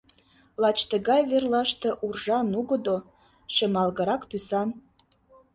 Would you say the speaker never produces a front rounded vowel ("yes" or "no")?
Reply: no